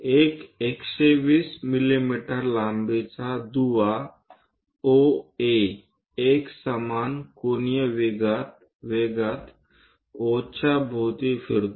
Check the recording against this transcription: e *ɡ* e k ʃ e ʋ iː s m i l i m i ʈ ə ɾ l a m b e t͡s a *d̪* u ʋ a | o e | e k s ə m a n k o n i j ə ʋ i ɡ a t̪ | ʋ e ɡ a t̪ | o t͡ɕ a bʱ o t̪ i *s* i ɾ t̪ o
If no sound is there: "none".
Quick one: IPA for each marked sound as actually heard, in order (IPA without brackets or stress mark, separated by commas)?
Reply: k, d̪, f